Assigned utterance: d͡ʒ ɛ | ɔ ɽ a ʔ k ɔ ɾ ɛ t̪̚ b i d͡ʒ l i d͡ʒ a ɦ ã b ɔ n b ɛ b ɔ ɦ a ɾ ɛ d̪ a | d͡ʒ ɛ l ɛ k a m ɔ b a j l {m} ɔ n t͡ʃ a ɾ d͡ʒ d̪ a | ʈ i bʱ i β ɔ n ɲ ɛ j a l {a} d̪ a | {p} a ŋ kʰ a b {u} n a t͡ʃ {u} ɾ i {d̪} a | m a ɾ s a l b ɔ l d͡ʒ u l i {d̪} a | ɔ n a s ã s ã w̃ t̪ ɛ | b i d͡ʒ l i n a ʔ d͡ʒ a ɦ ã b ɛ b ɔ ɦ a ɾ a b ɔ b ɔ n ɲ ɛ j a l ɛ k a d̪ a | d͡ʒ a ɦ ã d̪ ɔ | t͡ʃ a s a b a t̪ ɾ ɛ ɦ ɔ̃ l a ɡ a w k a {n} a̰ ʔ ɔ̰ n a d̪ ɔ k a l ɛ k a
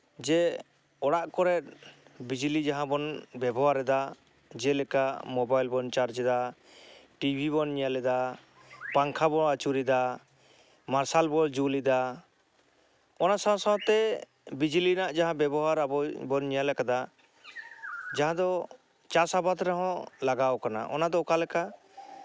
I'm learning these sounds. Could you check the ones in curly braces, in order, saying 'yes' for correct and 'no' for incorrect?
no, no, yes, no, yes, yes, yes, yes

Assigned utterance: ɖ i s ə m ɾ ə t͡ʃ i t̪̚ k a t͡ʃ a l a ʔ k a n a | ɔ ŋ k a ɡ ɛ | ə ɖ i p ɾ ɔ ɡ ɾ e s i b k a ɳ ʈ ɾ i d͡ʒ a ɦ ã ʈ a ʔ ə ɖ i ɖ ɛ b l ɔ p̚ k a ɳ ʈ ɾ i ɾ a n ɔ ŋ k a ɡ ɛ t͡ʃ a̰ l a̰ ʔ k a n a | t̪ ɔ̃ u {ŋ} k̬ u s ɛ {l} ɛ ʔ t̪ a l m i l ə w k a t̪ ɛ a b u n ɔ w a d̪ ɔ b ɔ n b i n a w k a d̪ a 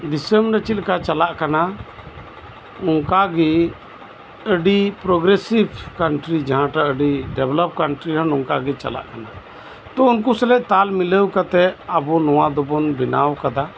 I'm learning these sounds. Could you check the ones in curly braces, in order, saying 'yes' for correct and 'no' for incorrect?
no, yes

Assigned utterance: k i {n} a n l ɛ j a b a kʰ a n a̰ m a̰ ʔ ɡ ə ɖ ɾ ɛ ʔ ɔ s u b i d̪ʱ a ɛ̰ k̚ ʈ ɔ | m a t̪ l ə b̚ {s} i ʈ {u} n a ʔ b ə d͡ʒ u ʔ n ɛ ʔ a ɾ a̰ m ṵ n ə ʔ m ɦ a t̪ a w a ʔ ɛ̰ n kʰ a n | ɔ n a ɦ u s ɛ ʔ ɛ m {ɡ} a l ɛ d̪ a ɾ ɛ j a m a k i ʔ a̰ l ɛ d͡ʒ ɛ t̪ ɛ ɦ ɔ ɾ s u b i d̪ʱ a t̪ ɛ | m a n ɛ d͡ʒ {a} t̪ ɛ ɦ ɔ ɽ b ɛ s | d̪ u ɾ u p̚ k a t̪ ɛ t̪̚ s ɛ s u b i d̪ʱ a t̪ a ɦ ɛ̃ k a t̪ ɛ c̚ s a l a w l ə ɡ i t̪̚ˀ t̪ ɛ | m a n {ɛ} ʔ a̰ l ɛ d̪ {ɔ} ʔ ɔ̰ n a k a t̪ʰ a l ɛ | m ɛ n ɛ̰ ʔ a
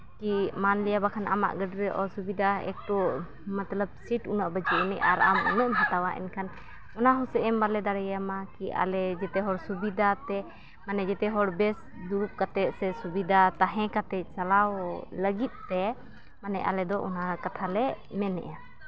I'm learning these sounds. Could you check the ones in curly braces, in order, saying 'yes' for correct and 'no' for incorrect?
no, yes, yes, no, no, yes, yes

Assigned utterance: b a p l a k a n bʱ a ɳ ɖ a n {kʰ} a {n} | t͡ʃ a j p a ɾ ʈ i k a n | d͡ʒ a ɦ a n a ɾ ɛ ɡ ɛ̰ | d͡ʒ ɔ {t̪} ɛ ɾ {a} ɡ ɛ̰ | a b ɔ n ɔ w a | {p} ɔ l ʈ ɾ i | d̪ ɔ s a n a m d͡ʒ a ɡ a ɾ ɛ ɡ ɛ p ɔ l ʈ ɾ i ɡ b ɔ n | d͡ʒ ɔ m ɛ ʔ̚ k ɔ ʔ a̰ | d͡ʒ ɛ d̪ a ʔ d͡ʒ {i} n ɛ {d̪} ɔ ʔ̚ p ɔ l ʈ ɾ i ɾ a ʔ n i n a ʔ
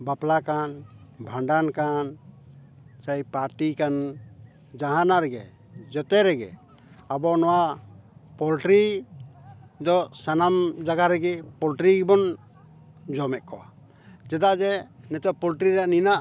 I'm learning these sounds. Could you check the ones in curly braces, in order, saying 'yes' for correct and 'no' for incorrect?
no, yes, yes, no, yes, no, no

